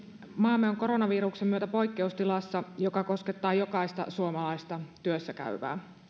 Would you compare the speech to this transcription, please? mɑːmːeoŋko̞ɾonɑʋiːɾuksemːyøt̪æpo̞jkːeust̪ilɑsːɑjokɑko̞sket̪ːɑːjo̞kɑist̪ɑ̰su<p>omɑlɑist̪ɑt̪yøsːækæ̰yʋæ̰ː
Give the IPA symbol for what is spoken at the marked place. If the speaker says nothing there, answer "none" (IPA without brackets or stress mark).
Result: none